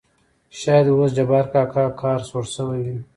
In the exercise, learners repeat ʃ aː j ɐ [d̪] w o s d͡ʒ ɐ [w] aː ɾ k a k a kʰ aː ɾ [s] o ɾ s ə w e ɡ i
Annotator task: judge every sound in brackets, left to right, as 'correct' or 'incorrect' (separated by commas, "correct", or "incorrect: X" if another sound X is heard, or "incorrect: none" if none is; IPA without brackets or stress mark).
correct, incorrect: b, correct